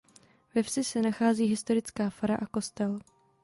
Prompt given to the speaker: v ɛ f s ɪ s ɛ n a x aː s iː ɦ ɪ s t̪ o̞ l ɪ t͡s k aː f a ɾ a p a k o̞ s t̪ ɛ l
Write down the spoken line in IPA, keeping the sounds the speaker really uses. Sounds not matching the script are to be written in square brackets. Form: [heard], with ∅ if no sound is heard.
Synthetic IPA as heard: v ɛ f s ɪ s ɛ n a x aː [z] iː ɦ ɪ s t̪ o̞ [ɾ] ɪ t͡s k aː f a ɾ a [ʔ] a k o̞ s t̪ ɛ l